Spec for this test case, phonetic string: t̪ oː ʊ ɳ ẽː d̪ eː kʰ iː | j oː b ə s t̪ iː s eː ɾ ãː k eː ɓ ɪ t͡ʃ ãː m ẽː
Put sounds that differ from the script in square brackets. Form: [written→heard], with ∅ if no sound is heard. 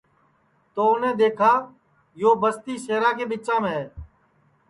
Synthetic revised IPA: t̪ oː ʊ [ɳ→n] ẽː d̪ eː kʰ [iː→aː] | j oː b ə s t̪ iː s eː ɾ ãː k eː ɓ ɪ t͡ʃ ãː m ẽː